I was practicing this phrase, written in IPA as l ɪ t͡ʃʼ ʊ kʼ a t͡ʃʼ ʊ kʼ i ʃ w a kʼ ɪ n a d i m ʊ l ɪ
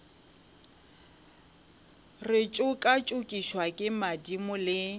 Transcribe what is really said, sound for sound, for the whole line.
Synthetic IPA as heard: r ɪ t͡ʃʼ ʊ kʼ a t͡ʃʼ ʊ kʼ i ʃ w a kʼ ɪ m a d i m ʊ l ɪ